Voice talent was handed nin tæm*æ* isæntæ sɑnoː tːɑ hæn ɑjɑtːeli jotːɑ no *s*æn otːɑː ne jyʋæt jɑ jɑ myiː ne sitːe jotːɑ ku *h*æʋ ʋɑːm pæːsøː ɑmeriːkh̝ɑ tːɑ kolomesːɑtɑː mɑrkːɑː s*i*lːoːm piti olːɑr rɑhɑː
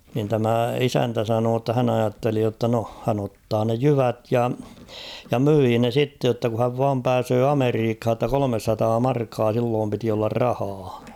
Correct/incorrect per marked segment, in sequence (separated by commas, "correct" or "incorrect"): correct, incorrect, correct, correct